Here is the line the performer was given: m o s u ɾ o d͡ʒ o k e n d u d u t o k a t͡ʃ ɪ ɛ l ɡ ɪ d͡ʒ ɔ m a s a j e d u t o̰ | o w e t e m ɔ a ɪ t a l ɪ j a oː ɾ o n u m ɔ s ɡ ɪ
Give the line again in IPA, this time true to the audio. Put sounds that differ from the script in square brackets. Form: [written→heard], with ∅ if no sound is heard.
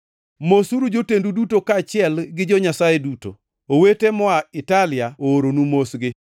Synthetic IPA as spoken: m o s u ɾ [o→u] d͡ʒ o [k→t] e n d u d u t o k a t͡ʃ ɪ ɛ l ɡ ɪ d͡ʒ ɔ [m→ɲ] a s a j e d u t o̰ | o w e t e m ɔ a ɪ t a l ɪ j a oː ɾ o n u m [ɔ→o] s ɡ ɪ